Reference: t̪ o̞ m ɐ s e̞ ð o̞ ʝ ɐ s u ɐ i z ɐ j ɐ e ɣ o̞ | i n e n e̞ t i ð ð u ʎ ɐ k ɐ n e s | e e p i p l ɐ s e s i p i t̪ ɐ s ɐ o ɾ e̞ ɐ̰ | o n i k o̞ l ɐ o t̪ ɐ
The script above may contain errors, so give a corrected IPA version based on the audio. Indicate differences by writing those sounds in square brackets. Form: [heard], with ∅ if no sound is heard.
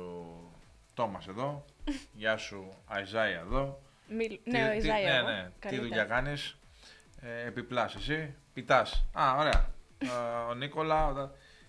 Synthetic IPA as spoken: t̪ o̞ m ɐ s e̞ ð o̞ ʝ ɐ s u ɐ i z ɐ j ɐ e [ð] o̞ | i n e n e̞ t i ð ð u ʎ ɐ k ɐ n [i] s | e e p i p l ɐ s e s i p i t̪ ɐ s ɐ o ɾ e̞ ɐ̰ | o n i k o̞ l ɐ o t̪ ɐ